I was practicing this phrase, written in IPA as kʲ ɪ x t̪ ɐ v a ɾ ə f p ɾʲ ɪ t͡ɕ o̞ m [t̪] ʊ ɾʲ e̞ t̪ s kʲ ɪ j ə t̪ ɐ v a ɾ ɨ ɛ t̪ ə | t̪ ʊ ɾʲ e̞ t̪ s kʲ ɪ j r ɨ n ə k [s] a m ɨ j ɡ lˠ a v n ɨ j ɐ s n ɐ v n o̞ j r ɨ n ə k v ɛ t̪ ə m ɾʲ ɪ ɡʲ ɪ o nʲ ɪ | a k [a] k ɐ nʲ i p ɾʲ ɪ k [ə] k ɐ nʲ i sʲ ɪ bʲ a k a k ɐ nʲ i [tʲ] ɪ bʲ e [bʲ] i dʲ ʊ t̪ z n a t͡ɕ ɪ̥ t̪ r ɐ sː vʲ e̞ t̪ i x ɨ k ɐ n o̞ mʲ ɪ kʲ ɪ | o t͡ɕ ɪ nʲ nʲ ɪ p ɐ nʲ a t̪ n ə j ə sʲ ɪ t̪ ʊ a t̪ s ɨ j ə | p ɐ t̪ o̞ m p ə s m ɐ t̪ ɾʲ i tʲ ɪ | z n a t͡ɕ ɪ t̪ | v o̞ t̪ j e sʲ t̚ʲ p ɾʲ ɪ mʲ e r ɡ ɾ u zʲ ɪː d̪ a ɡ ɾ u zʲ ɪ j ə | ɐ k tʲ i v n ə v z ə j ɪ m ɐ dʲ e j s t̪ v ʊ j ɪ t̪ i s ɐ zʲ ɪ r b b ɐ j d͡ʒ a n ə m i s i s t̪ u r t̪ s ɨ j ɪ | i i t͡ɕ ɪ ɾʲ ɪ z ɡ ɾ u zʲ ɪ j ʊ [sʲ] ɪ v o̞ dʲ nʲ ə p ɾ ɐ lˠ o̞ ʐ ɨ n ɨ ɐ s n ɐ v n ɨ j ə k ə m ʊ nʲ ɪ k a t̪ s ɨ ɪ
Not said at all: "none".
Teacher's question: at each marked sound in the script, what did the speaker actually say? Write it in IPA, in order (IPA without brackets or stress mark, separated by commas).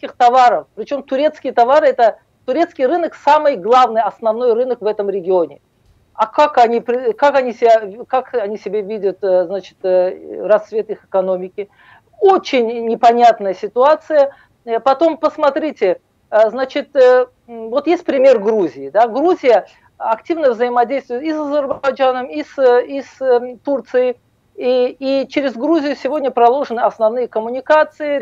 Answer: t̪, s, a, a, sʲ, vʲ, sʲ